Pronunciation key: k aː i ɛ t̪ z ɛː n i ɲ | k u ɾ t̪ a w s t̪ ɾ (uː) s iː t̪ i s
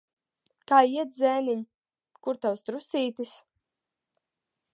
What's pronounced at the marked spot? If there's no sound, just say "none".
u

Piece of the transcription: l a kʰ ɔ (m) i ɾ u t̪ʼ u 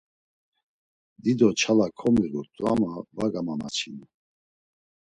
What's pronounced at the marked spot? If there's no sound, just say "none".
m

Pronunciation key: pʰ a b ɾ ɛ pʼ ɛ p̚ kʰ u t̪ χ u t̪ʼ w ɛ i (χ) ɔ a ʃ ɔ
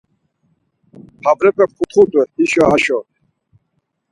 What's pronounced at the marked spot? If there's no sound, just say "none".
ʃ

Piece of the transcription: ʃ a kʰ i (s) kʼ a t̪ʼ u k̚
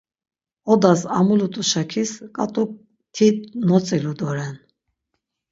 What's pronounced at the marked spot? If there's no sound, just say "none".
s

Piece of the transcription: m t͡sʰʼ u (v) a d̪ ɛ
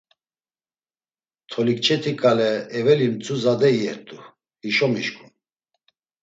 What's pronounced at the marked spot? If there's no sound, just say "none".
z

